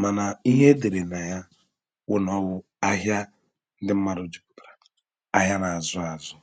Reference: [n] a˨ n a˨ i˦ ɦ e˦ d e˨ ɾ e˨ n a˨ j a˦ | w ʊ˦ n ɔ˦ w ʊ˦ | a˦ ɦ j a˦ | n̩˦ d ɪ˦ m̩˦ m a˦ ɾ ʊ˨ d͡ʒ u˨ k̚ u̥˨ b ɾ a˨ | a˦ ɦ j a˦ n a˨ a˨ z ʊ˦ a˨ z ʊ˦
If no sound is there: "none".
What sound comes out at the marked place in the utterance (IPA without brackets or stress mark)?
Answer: m